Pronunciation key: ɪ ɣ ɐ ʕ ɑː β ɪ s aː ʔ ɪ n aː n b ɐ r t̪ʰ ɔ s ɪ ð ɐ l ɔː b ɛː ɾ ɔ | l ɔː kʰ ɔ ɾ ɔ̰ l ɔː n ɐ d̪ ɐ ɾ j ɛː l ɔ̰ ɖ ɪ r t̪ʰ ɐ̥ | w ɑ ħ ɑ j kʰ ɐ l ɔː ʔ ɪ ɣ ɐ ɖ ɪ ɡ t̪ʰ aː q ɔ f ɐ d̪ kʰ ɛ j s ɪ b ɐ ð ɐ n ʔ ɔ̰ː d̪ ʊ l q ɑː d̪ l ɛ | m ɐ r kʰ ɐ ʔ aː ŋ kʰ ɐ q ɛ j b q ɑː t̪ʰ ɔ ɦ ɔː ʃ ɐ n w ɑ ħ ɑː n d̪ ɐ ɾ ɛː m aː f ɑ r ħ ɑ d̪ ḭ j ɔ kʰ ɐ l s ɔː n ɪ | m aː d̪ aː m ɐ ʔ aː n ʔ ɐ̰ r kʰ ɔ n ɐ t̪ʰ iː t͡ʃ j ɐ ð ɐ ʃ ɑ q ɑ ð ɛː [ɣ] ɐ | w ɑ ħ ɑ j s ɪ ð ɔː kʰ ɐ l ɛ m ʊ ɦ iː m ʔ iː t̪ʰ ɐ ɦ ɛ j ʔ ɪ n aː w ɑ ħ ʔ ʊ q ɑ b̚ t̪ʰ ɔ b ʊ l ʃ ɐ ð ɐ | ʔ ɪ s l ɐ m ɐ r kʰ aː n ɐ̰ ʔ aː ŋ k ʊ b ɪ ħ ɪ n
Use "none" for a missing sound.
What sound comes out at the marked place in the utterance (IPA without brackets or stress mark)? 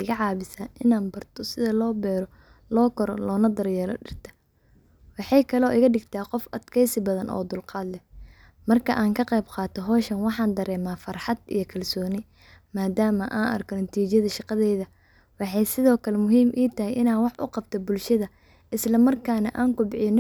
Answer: ð